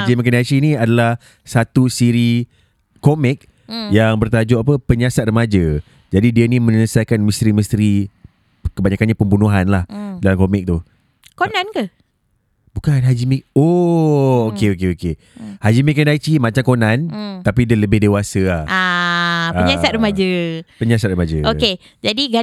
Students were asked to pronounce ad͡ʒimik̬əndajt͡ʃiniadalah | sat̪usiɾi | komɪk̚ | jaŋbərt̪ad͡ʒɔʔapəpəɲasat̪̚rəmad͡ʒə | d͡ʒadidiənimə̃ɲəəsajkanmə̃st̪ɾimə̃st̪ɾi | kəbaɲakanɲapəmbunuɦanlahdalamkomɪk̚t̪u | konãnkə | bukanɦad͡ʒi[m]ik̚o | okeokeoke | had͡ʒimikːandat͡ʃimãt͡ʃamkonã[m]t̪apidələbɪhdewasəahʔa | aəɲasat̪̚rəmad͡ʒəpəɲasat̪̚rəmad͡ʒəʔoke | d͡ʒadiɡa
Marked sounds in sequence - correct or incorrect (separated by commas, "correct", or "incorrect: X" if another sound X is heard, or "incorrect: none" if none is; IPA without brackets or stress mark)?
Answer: correct, incorrect: n